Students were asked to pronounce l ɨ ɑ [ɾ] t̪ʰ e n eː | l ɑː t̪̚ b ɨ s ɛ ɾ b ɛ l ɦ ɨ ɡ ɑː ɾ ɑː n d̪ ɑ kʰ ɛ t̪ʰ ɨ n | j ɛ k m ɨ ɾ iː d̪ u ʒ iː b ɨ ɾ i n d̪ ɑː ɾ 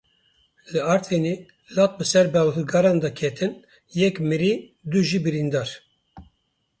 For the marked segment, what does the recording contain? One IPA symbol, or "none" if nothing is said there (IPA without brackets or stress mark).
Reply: ɾ